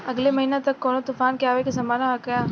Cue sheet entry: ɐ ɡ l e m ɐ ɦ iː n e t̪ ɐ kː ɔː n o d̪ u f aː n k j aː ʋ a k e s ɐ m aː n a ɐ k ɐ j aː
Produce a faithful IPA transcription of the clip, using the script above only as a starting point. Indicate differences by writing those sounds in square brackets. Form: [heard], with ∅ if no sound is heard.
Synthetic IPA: ɐ ɡ l e m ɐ ɦ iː n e t̪ ɐ kː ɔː n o [t̪] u f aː n k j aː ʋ [e] k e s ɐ m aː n a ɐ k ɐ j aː